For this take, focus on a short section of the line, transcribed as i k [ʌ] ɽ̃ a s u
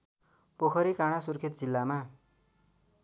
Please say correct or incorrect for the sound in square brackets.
incorrect